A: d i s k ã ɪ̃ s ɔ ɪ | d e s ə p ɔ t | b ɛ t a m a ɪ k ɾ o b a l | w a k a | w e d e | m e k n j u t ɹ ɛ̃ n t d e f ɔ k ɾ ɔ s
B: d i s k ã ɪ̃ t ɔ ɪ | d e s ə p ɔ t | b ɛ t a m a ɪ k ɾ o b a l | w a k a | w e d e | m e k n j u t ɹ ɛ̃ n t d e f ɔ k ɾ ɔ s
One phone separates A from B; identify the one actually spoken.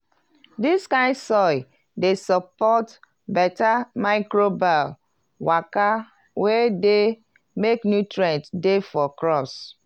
A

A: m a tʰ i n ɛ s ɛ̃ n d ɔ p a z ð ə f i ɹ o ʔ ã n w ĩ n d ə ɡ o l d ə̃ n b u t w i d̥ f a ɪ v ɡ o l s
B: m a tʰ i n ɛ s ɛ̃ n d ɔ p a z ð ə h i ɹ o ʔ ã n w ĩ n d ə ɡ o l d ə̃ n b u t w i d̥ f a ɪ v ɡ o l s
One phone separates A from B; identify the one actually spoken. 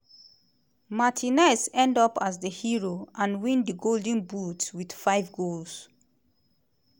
B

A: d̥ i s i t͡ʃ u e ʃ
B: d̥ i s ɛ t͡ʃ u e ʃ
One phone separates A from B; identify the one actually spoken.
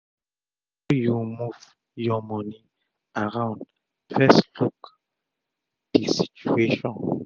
A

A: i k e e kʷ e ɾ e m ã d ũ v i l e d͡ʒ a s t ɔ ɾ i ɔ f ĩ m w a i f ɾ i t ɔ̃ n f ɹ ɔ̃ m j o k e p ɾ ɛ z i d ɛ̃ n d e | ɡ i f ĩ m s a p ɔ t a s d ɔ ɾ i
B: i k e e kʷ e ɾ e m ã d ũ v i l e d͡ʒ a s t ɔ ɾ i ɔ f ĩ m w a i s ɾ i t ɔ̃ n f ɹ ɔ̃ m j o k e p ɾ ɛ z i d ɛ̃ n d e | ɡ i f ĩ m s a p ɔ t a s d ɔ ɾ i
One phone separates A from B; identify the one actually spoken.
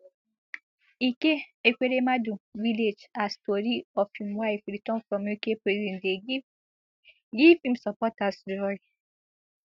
A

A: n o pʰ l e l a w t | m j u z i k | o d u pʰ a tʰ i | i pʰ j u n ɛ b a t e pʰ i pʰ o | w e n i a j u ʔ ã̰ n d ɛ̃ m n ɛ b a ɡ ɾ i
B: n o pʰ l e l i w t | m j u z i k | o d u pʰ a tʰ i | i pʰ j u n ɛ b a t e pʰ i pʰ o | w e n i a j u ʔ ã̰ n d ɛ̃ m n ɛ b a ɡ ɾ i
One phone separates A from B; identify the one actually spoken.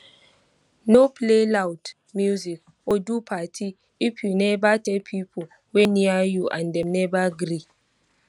A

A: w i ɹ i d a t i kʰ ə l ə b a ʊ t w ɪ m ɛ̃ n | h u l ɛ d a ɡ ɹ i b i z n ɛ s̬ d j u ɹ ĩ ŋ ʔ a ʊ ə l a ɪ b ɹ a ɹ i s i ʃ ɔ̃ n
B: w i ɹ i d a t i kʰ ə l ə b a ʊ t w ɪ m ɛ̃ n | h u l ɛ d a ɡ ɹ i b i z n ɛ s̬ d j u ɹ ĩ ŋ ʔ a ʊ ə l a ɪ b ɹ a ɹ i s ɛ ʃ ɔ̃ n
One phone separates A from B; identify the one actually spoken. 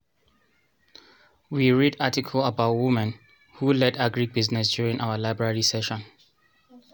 B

